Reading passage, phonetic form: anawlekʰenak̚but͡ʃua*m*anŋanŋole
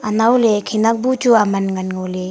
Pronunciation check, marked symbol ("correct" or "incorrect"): correct